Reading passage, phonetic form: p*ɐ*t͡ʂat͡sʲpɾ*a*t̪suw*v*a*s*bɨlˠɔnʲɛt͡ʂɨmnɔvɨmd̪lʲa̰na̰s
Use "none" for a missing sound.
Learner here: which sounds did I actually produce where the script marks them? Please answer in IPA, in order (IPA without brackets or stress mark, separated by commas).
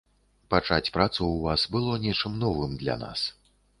a, a, v, s